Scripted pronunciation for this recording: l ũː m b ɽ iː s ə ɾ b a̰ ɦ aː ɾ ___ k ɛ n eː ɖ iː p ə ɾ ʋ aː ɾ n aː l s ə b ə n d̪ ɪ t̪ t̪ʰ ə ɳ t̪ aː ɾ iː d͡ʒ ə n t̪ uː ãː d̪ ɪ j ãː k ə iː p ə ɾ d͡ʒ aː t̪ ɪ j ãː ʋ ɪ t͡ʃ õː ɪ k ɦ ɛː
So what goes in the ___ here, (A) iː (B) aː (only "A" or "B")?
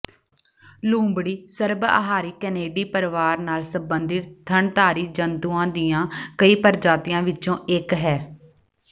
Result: A